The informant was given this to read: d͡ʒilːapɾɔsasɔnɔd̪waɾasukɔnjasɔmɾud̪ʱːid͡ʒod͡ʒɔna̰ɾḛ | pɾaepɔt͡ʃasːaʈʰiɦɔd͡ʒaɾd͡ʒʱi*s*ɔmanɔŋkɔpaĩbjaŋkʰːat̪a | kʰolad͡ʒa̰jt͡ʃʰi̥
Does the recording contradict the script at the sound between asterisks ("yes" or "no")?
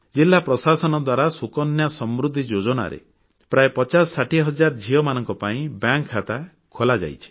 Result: yes